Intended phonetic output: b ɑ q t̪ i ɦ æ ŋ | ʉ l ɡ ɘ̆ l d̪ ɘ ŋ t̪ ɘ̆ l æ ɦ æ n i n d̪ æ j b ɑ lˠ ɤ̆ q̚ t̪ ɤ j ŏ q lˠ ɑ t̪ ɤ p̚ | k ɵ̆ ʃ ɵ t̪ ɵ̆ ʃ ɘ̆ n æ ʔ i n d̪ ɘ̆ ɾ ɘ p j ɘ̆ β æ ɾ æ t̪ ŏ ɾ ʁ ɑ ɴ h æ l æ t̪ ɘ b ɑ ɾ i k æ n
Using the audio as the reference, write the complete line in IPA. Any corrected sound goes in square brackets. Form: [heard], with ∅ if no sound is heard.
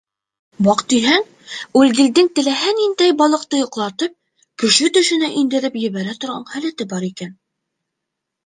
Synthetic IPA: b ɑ q t̪ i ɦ æ ŋ | ʉ l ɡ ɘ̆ l d̪ ɘ ŋ t̪ ɘ̆ l æ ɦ æ n i n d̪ æ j b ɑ lˠ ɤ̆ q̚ t̪ ɤ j ŏ q lˠ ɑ t̪ ɤ p̚ | k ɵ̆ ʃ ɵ t̪ ɵ̆ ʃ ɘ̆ n æ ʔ i n d̪ ɘ̆ ɾ ɘ p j ɘ̆ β æ ɾ æ t̪ ŏ ɾ ʁ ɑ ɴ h æ l æ t̪ ɘ b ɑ ɾ i k æ n